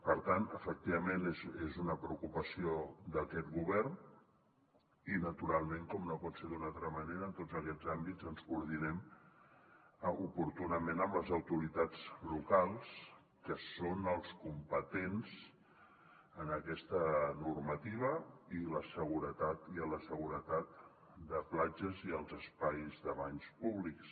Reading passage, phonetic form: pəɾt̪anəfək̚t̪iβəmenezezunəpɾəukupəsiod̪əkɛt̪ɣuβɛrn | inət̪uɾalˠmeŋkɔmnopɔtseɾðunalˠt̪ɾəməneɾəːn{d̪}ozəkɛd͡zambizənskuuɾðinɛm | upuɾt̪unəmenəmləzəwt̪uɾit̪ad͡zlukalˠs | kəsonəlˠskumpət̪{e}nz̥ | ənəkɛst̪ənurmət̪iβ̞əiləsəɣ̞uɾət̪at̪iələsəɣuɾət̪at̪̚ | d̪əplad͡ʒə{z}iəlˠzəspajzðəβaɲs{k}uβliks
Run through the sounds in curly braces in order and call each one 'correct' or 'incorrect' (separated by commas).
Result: incorrect, correct, correct, incorrect